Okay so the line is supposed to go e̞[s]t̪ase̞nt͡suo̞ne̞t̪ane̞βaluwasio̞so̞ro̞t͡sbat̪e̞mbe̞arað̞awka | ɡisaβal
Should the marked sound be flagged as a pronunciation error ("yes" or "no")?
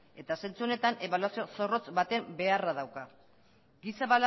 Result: yes